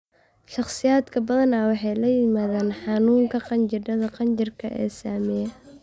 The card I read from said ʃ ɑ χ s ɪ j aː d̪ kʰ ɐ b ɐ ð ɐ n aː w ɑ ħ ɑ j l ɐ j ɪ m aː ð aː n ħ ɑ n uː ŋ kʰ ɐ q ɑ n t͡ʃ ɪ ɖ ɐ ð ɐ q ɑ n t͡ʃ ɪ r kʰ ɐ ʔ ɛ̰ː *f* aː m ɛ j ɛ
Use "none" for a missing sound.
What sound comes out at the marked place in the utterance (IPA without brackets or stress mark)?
s